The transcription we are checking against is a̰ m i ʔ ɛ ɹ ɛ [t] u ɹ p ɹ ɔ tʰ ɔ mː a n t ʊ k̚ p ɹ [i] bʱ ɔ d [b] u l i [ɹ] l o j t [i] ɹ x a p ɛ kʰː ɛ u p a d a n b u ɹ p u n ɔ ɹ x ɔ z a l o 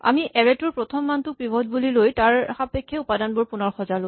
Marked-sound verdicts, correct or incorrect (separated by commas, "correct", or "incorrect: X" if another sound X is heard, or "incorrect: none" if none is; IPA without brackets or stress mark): correct, correct, correct, incorrect: none, incorrect: a